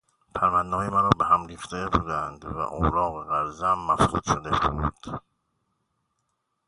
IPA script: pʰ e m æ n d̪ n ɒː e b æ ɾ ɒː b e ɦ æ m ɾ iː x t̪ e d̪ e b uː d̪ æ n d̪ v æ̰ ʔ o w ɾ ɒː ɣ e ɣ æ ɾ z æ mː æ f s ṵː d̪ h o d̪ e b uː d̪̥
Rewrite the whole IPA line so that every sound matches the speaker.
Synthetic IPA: pʰ æ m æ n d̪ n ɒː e m æ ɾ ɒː b e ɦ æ m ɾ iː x t̪ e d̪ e b uː d̪ æ n d̪ v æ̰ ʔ o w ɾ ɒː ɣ e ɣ æ ɾ z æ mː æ f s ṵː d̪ ʃ o d̪ e b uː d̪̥